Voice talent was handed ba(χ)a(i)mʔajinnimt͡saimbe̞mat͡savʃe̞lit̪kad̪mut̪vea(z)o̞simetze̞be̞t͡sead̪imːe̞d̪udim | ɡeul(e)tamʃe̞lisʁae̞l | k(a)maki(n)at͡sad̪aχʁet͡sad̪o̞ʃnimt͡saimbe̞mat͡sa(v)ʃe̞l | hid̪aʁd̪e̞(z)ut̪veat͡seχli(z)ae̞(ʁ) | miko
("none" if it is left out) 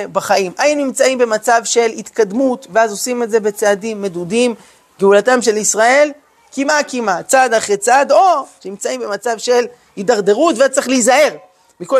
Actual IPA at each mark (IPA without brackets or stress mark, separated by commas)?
χ, i, z, a, i, m, v, ʁ, z, ʁ